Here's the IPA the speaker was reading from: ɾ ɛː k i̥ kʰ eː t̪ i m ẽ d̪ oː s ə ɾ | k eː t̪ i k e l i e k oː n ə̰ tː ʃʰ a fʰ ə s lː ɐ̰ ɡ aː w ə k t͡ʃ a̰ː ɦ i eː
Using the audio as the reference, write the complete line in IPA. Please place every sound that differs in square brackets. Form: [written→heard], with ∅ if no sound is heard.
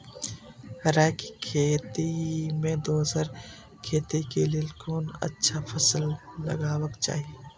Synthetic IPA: ɾ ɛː k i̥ kʰ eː t̪ i m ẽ d̪ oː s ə ɾ | [k→kʰ] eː t̪ i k e l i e k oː n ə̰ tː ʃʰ a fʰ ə s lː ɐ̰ ɡ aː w ə k t͡ʃ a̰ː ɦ i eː

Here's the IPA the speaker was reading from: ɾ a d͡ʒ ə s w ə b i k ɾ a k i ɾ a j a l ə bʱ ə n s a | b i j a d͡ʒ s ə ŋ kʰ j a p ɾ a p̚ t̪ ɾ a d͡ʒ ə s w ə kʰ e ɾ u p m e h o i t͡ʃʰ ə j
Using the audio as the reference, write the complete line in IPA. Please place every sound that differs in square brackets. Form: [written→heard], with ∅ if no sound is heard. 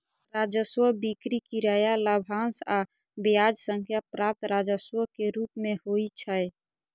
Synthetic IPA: ɾ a d͡ʒ ə s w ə b i k ɾ [a→i] k i ɾ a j a l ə bʱ [ə→a] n s a | b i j a d͡ʒ s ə ŋ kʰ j a p ɾ a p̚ t̪ ɾ a d͡ʒ ə s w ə [kʰ→k] e ɾ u p m e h o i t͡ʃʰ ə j

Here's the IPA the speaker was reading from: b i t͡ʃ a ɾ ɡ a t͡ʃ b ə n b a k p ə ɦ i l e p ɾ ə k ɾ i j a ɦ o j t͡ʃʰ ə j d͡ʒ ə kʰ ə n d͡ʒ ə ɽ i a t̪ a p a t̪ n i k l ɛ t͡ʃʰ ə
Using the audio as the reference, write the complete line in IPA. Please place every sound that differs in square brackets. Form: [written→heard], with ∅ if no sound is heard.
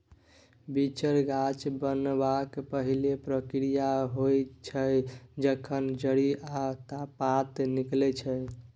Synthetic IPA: b i t͡ʃ [a→ə] ɾ ɡ a t͡ʃ b ə n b a k p ə ɦ i l e p ɾ ə k ɾ i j a ɦ o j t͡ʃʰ ə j d͡ʒ ə kʰ ə n d͡ʒ ə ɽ i a t̪ a p a t̪ n i k l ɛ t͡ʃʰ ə

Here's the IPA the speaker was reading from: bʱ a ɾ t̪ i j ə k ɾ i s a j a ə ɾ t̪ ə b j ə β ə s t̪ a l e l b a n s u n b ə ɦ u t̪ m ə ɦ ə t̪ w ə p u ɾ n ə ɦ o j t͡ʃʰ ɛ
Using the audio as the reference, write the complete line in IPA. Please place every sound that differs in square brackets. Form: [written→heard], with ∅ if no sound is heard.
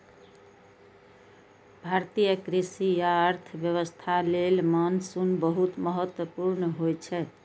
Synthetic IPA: bʱ a ɾ t̪ i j ə k ɾ i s [a→i] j a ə ɾ [t̪→t̪ʰ] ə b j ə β ə s [t̪→t̪ʰ] a l e l [b→m] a n s u n b ə ɦ u t̪ m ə ɦ ə t̪ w ə p u ɾ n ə ɦ o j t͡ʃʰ ɛ

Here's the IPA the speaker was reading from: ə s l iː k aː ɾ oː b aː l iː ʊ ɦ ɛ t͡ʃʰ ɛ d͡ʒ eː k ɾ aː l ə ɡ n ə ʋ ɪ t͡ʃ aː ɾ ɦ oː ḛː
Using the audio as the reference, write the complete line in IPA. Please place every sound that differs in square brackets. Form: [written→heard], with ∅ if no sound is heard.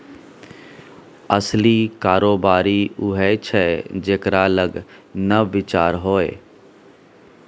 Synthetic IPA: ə s l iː k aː ɾ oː b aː [l→ɾ] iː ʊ ɦ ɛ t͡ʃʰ ɛ d͡ʒ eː k ɾ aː l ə ɡ n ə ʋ ɪ t͡ʃ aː ɾ ɦ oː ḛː

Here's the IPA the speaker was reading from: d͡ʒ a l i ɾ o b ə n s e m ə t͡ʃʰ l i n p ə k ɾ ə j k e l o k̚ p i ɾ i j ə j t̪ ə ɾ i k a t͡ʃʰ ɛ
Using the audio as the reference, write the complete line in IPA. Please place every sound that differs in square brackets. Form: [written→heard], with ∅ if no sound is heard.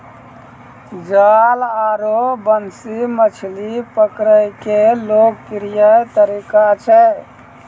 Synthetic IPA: d͡ʒ a l [i→a] ɾ o b ə n s [e→i] m ə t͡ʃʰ l i [n→∅] p ə k ɾ ə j k e l o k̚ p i ɾ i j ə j t̪ ə ɾ i k a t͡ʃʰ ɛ

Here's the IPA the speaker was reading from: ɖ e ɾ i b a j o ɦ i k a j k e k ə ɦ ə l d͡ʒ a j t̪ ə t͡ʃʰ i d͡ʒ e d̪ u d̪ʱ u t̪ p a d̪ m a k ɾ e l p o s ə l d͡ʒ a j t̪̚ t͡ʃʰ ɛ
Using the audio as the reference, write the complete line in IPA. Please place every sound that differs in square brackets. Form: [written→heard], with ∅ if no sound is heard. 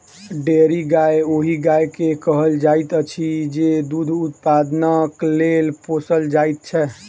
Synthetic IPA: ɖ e ɾ i [b→ɡ] a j o ɦ i [k→ɡ] a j k e k ə ɦ ə l d͡ʒ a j t̪ ə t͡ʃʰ i d͡ʒ e d̪ u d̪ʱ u t̪ p a d̪ [m→n] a k [ɾ→l] e l p o s ə l d͡ʒ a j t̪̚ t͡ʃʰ ɛ

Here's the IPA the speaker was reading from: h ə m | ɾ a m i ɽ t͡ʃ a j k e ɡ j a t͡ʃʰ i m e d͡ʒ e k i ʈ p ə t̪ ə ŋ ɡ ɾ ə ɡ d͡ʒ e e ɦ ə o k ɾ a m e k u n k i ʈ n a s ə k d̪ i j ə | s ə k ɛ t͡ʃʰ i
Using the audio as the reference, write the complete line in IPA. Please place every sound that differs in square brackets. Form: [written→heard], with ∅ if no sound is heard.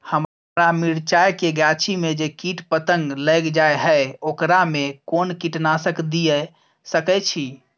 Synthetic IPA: h ə m | ɾ a m i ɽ t͡ʃ a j k e ɡ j a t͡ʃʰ i m e d͡ʒ e k i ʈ p ə t̪ ə ŋ ɡ [ɾ→l] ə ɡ d͡ʒ [e→a] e ɦ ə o k ɾ a m e k [u→o] n k i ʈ n a s ə k d̪ i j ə | s ə k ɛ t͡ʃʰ i

